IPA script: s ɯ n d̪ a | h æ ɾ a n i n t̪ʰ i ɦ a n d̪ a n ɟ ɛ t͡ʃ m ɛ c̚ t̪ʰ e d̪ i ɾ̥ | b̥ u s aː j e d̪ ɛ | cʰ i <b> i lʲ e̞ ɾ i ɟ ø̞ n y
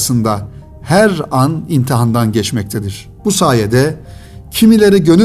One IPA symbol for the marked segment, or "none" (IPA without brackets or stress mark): m